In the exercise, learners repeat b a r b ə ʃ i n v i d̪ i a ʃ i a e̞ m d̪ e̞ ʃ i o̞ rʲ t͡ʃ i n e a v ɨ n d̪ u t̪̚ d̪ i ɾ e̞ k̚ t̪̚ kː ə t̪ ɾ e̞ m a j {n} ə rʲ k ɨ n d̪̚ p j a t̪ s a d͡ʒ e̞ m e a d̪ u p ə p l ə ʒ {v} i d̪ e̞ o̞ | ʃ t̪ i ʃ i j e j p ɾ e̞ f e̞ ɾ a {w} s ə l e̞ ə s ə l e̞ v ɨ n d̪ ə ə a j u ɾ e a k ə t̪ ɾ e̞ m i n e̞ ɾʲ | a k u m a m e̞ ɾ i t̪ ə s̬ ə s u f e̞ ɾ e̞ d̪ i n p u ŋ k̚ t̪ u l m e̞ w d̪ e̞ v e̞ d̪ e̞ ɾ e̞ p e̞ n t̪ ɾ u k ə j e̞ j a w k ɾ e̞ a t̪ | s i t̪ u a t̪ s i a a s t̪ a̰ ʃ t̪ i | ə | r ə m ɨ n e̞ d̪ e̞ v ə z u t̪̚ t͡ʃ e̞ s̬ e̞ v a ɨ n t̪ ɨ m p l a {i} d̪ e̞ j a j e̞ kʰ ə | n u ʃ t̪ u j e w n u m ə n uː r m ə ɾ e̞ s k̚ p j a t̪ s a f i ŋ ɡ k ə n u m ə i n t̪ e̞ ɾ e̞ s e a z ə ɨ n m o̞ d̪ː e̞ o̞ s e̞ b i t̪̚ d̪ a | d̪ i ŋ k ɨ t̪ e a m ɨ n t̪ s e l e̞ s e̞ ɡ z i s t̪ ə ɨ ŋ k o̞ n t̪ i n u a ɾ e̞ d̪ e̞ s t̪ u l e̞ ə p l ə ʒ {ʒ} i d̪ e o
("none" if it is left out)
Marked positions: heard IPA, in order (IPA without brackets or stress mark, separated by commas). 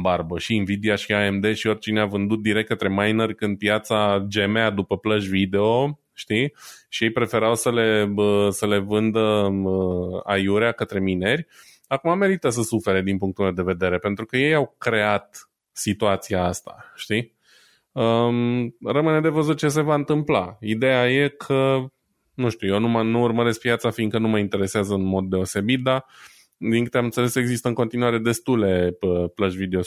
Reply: n, v, w, i, v